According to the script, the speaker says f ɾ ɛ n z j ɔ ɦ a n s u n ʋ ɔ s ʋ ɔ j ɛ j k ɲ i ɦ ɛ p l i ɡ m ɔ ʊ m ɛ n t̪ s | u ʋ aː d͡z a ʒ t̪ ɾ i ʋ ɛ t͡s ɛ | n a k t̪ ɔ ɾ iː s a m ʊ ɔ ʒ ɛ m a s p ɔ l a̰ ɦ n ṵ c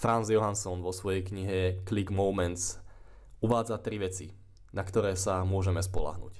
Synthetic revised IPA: f ɾ a n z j ɔ ɦ a n s ɔ n ʋ ɔ s ʋ ɔ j ɛ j k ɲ i ɦ ɛ k l i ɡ m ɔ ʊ m ɛ n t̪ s | u ʋ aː d͡z a t̪ ɾ i ʋ ɛ t͡s i | n a k t̪ ɔ ɾ ɛː s a m ʊ ɔ ʒ ɛ m ɛ s p ɔ l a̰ ɦ n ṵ c